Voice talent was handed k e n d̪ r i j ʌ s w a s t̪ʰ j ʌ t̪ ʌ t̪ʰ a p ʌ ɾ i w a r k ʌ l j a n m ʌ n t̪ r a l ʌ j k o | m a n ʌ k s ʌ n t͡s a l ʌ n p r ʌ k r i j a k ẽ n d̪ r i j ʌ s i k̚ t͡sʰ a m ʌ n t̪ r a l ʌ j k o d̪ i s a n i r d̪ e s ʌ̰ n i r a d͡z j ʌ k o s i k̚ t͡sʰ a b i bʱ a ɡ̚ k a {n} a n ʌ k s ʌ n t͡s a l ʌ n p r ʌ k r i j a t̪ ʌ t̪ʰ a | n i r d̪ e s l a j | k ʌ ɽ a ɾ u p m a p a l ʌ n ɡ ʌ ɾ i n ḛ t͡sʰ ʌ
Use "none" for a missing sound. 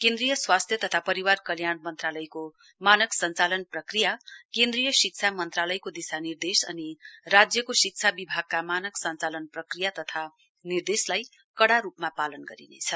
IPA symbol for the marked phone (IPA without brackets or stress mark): m